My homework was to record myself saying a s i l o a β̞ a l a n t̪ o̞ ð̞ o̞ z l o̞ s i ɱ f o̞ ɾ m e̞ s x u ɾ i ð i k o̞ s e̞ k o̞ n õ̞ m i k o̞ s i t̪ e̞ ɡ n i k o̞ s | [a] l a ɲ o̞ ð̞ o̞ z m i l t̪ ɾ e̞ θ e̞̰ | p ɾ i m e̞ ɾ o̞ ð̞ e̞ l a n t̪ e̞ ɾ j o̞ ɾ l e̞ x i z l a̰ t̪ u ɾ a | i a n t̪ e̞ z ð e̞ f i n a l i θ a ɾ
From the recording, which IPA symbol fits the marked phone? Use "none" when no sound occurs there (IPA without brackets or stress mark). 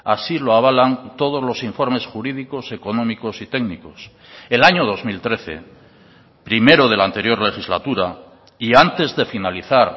e